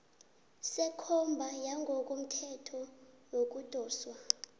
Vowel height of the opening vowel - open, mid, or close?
mid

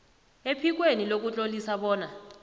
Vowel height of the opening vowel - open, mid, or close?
mid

